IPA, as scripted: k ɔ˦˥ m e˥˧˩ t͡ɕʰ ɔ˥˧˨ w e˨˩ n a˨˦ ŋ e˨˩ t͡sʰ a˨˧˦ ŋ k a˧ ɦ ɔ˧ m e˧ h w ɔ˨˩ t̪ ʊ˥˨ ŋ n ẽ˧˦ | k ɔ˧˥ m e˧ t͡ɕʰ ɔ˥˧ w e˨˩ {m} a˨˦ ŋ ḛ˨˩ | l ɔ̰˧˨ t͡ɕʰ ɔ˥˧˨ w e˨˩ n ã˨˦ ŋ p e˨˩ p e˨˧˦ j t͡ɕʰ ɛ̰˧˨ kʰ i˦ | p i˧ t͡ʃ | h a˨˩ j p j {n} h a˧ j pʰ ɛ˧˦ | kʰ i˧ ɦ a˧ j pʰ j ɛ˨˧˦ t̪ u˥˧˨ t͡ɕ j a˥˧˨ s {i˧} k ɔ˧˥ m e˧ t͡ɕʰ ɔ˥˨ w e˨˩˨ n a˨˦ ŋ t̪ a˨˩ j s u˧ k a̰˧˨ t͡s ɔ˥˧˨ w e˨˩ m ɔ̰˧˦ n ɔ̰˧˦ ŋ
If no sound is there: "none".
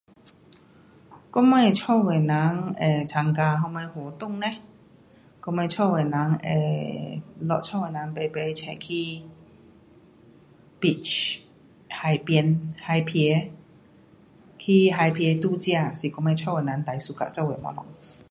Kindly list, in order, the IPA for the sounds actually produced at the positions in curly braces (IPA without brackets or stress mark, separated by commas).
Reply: n, n, i˨˩